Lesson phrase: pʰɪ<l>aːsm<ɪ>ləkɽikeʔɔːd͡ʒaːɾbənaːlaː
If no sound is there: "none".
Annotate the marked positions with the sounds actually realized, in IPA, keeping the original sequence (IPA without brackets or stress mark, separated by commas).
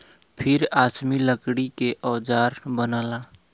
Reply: ɾ, i